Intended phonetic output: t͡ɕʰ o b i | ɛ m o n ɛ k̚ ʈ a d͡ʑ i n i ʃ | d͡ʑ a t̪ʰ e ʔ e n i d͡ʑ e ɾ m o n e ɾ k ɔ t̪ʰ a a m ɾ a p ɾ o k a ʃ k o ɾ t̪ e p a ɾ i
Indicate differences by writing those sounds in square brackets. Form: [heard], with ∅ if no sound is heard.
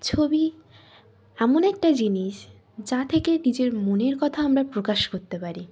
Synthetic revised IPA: t͡ɕʰ o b i | ɛ m o n ɛ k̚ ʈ a d͡ʑ i n i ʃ | d͡ʑ a t̪ʰ e [k] e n i d͡ʑ e ɾ m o n e ɾ k ɔ t̪ʰ a a m ɾ a p ɾ o k a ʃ k o ɾ t̪ e p a ɾ i

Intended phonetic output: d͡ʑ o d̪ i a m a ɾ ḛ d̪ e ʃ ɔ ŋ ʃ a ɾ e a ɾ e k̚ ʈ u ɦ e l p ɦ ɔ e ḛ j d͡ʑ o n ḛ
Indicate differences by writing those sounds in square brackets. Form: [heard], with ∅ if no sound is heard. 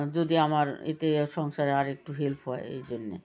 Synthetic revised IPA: d͡ʑ o d̪ i a m a ɾ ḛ [t̪] e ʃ ɔ ŋ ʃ a ɾ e a ɾ e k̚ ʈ u ɦ e l p ɦ ɔ e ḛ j d͡ʑ o [nː] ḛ

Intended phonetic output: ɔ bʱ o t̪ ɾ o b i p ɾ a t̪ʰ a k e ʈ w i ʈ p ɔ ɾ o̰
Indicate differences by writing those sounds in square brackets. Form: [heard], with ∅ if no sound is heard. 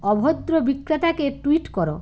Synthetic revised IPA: ɔ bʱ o [d̪] ɾ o b i [k] ɾ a [t̪] a k e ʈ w i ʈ [k] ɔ ɾ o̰

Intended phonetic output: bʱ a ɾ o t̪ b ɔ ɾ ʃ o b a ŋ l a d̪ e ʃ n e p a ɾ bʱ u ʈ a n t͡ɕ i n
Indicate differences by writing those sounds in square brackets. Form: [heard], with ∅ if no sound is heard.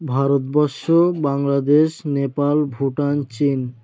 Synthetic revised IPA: bʱ a ɾ o t̪ b ɔ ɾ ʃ o b a ŋ l a d̪ e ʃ n e p a [l] bʱ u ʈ a n t͡ɕ i n

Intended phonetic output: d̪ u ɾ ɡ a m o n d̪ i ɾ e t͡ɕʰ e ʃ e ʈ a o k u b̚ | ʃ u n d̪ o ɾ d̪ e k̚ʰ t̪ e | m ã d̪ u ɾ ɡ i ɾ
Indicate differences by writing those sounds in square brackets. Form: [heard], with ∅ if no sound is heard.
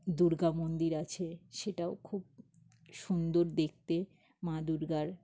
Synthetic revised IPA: d̪ u ɾ ɡ a m o n d̪ i ɾ [a] t͡ɕʰ e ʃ e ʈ a o [kʰ] u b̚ | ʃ u n d̪ o ɾ d̪ e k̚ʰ t̪ e | m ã d̪ u ɾ ɡ [a] ɾ

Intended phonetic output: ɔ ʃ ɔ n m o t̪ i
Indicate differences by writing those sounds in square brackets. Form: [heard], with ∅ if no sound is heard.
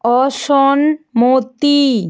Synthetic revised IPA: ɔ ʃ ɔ n m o t̪ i

